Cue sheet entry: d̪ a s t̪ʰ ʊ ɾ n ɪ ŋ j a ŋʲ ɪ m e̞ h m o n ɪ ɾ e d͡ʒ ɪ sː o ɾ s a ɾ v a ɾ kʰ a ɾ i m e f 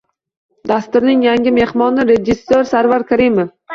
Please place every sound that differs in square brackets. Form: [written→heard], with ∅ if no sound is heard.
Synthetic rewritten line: d̪ a s [t̪ʰ→t̪] ʊ ɾ n ɪ ŋ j a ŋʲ ɪ m e̞ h m [o→ɒ] n ɪ ɾ e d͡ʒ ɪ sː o ɾ s a ɾ v a ɾ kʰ a ɾ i m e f